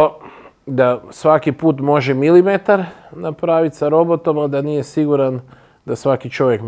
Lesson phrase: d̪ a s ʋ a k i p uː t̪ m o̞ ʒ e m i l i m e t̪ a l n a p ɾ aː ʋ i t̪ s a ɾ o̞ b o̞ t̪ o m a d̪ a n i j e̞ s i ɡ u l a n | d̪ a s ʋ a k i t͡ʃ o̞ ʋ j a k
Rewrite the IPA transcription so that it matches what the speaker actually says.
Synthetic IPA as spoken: d̪ a s ʋ a k i p uː t̪ m o̞ ʒ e m i l i m e t̪ a ɾ n a p ɾ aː ʋ i t̪ s a ɾ o̞ b o̞ t̪ o m a d̪ a n i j e̞ s i ɡ u ɾ a n | d̪ a s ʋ a k i t͡ʃ o̞ ʋ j e k